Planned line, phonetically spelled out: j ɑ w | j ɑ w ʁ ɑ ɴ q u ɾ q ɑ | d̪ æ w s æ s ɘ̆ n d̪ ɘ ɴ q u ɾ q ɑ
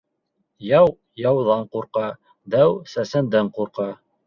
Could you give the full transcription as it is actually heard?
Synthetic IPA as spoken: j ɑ w | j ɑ w ð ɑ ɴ q u ɾ q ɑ | d̪ æ w s æ s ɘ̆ n d̪ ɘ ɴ q u ɾ q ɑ